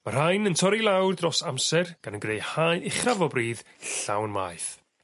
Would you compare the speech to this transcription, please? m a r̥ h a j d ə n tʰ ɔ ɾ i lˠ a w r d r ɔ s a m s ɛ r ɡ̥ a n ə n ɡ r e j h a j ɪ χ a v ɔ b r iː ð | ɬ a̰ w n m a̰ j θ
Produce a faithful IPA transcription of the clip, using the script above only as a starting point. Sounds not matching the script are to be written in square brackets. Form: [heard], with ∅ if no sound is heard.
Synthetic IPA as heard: m a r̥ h a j [n] ə n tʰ ɔ ɾ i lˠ a w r d r ɔ s a m s ɛ r ɡ̥ a n ə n ɡ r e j h a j ɪ χ a v ɔ b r iː ð | ɬ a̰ w n m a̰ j θ